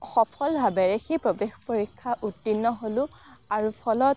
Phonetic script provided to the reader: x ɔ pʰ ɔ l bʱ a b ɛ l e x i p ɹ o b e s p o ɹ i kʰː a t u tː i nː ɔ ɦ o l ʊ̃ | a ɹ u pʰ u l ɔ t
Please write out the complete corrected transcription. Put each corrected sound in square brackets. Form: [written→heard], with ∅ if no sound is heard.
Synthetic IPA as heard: x ɔ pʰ ɔ l bʱ a b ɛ [l→ɹ] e x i p ɹ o b e [s→x] p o ɹ i kʰː a [t→ʔ] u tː i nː ɔ ɦ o l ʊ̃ | a ɹ u pʰ [u→ɔ] l ɔ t